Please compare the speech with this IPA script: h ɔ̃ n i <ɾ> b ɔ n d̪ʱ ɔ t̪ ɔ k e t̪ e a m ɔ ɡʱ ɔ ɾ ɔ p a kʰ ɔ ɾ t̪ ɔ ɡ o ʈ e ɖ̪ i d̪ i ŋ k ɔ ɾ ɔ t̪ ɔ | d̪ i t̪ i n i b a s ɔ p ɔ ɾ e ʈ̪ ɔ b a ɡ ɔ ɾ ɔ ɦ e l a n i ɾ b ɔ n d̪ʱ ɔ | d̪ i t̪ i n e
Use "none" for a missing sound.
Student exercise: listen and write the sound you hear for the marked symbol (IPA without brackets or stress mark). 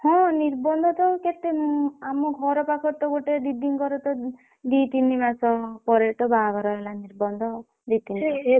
ɾ